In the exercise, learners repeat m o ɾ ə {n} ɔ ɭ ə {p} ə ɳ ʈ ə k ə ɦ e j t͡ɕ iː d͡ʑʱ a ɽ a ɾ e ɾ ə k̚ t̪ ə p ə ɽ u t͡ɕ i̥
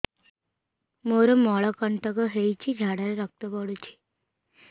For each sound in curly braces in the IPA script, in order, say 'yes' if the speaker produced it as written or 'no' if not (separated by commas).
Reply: no, no